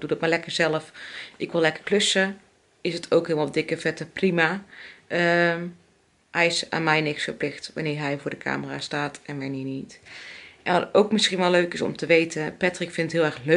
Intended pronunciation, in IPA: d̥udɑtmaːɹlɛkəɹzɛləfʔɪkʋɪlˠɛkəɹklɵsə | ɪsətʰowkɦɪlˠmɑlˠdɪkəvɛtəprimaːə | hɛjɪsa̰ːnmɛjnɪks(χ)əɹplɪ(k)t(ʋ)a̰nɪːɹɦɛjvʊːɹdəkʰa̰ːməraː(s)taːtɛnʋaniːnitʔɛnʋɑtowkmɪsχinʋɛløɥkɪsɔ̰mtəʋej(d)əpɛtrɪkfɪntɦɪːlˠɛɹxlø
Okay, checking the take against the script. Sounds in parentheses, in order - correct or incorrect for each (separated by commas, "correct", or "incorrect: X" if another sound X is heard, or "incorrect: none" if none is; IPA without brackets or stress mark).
incorrect: f, incorrect: x, correct, correct, incorrect: t